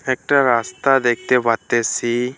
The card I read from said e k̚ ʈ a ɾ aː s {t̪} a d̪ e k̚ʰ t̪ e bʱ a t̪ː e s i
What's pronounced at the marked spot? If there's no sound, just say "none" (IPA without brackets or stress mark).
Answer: t̪